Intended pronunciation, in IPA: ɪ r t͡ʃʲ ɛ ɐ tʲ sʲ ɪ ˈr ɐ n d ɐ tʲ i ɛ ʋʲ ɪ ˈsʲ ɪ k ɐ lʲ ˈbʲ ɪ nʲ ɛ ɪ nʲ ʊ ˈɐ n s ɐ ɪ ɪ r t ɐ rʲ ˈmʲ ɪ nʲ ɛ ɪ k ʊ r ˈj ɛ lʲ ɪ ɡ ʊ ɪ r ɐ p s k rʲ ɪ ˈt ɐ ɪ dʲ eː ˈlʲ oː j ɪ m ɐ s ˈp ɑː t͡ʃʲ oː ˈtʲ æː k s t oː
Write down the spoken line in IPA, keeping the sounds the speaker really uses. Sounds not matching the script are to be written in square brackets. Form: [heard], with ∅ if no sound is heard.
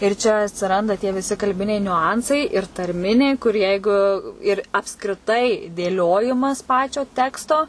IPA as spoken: ɪ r t͡ʃʲ ɛ ɐ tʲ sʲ ɪ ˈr ɐ n d ɐ tʲ i ɛ ʋʲ ɪ ˈsʲ ɪ k ɐ lʲ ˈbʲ ɪ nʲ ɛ ɪ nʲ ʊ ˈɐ n s ɐ ɪ ɪ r t ɐ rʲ ˈmʲ ɪ nʲ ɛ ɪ k ʊ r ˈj ɛ [∅] ɪ ɡ ʊ ɪ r ɐ p s k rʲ ɪ ˈt ɐ ɪ dʲ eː ˈlʲ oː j ɪ m ɐ s ˈp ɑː t͡ʃʲ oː ˈtʲ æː k s t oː